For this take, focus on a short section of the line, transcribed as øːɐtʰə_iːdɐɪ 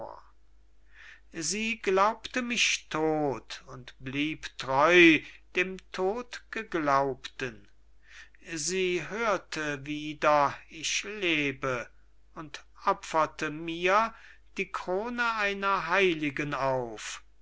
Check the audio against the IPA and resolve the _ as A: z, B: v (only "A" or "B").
B